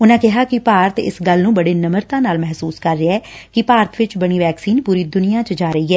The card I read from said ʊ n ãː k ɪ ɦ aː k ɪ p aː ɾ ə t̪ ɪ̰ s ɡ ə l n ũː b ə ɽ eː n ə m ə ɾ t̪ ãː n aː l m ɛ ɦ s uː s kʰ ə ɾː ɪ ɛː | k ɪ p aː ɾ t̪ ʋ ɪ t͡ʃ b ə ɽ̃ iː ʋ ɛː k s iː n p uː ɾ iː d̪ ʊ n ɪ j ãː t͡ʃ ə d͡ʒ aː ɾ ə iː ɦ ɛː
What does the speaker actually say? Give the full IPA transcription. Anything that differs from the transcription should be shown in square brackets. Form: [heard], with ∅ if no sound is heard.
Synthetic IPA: ʊ n ãː k ɪ ɦ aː k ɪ p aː ɾ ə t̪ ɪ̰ s ɡ ə l n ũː b ə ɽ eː n ə m ə ɾ t̪ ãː n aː l m ɛ ɦ s uː s [k] ə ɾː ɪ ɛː | k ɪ p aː ɾ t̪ ʋ ɪ t͡ʃ b ə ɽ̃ iː ʋ ɛː k s iː n p uː ɾ iː d̪ ʊ n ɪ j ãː t͡ʃ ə d͡ʒ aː ɾ ə iː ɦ ɛː

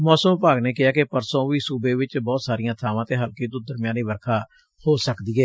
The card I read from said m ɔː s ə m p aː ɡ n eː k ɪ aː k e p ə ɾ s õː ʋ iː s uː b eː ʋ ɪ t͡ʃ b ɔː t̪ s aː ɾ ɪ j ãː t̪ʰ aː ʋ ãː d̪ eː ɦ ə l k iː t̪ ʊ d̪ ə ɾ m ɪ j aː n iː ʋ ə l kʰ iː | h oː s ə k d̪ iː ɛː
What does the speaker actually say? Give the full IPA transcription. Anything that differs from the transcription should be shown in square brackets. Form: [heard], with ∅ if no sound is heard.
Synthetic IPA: m ɔː s ə m p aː ɡ n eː k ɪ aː k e p ə ɾ s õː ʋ iː s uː b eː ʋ ɪ t͡ʃ b ɔː t̪ s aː ɾ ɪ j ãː t̪ʰ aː ʋ ãː [t̪] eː ɦ ə l k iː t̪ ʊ d̪ ə ɾ m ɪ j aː n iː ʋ ə [ɾ] kʰ [aː] | h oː s ə k d̪ iː ɛː

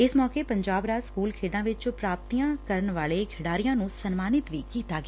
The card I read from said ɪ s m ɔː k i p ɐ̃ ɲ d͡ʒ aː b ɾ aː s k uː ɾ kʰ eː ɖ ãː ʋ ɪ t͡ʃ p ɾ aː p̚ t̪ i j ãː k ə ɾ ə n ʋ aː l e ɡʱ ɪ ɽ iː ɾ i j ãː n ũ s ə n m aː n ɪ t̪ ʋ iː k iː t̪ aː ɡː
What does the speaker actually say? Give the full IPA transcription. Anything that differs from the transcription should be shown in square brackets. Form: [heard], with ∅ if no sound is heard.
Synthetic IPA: ɪ s m ɔː k [e] p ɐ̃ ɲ d͡ʒ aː b ɾ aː s k uː [l] kʰ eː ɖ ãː ʋ ɪ t͡ʃ p ɾ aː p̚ t̪ i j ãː k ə ɾ ə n ʋ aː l e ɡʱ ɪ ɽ [aː] ɾ i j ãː n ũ s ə n m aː n ɪ t̪ ʋ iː k iː t̪ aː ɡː

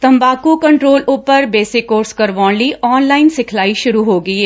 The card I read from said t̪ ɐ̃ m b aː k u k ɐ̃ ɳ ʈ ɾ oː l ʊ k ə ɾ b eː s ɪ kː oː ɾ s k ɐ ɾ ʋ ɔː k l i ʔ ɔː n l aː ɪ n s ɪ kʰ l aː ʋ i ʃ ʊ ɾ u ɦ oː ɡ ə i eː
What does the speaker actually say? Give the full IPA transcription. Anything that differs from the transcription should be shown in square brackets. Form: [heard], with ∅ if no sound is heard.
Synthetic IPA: t̪ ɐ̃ m b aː k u k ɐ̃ ɳ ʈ ɾ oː l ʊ [p] ə ɾ b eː s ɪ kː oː ɾ s k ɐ ɾ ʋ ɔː [∅] l i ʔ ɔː n l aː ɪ n s ɪ kʰ l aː [∅] i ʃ ʊ ɾ u ɦ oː ɡ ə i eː

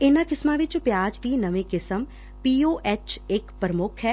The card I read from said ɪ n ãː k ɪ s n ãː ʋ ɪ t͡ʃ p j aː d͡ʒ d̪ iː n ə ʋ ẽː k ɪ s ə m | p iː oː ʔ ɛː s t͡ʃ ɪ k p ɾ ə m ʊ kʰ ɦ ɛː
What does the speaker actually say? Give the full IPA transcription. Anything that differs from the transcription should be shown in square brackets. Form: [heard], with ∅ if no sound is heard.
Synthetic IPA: ɪ n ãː k ɪ s [m] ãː ʋ ɪ t͡ʃ p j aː d͡ʒ d̪ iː n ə ʋ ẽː k ɪ s ə m | p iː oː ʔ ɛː [∅] t͡ʃ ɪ k p ɾ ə m ʊ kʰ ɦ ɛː

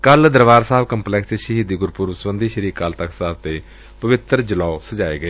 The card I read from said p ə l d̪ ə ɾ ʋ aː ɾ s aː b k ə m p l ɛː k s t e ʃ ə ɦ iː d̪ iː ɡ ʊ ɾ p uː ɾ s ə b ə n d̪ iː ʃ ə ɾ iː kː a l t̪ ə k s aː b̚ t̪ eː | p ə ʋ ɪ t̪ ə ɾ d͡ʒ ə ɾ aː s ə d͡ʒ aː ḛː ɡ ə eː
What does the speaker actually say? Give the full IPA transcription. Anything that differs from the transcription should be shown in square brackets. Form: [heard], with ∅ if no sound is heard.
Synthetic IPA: [k] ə l d̪ ə ɾ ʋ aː ɾ s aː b k ə m p l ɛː k s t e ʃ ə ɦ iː d̪ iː ɡ ʊ ɾ p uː ɾ s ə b ə n d̪ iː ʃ ə ɾ iː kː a l t̪ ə k s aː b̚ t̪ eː | p ə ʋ ɪ t̪ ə ɾ d͡ʒ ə [l] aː s ə d͡ʒ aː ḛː ɡ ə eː

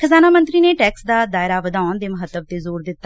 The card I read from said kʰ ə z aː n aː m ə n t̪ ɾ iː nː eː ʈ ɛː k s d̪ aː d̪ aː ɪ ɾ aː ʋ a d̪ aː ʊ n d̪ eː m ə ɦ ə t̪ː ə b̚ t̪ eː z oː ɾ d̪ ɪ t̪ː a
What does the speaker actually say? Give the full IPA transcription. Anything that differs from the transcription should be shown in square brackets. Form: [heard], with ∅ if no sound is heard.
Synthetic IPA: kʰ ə z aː n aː m ə n t̪ ɾ iː [n] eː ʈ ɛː k s d̪ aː d̪ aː ɪ ɾ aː ʋ [ə] d̪ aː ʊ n d̪ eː m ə ɦ ə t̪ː ə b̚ t̪ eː z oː ɾ d̪ ɪ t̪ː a

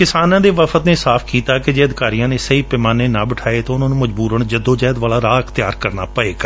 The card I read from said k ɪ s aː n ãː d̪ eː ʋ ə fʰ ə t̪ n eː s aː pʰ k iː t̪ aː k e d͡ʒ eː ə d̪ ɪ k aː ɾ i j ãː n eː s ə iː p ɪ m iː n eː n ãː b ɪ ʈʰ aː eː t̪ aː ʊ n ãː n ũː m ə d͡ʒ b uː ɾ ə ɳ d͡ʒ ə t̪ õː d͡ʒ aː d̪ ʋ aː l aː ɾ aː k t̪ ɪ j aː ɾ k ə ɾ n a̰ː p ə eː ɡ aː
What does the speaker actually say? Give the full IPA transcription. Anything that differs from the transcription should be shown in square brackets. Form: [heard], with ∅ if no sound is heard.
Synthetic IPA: k ɪ s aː n ãː d̪ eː ʋ ə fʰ ə t̪ n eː s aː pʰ k iː t̪ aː k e d͡ʒ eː ə d̪ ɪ k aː ɾ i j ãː n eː s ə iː p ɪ m [aː] n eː n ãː b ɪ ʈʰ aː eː t̪ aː ʊ n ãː n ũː m ə d͡ʒ b uː ɾ ə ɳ d͡ʒ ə [d̪] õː d͡ʒ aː d̪ ʋ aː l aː ɾ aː k t̪ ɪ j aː ɾ k ə ɾ n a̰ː p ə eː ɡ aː

